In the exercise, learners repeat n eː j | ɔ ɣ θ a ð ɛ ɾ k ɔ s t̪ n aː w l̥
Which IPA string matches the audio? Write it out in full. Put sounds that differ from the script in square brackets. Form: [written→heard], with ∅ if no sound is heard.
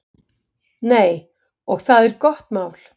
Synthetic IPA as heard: n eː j | ɔ ɣ θ a ð ɛ ɾ k ɔ [s→h] t̪ [n→m] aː w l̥